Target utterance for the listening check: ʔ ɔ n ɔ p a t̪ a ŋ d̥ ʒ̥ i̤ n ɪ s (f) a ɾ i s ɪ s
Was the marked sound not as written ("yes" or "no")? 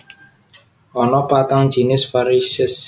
no